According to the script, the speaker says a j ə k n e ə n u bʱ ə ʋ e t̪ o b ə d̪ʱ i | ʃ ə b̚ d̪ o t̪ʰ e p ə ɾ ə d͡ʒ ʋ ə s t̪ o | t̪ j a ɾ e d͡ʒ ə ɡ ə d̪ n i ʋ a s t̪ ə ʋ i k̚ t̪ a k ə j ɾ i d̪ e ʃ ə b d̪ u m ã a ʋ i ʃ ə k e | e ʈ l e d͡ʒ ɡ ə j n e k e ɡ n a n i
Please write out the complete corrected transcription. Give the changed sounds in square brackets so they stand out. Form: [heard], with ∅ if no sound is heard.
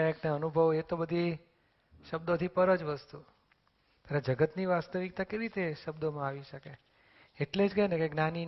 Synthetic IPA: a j ə k n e ə n u bʱ ə ʋ e t̪ o b ə d̪ʱ i | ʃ ə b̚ d̪ o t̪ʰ [i] p ə ɾ ə d͡ʒ ʋ ə s t̪ [u] | t̪ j a ɾ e d͡ʒ ə ɡ ə [t̪] n i ʋ a s t̪ ə ʋ i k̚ t̪ a k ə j ɾ i [t̪] e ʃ ə b d̪ [o] m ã a ʋ i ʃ ə k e | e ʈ l e d͡ʒ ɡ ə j n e k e ɡ n a n i